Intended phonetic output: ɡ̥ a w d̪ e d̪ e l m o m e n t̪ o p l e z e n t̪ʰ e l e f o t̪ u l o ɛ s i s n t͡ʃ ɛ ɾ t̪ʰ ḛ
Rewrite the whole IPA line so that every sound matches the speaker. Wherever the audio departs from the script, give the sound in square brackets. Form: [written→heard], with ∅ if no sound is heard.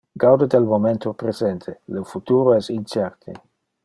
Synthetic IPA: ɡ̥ a w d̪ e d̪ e l m o m e n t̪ o p [l→ɾ] e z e n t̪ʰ e l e f [o→u] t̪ u [l→ɾ] o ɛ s i [s→∅] n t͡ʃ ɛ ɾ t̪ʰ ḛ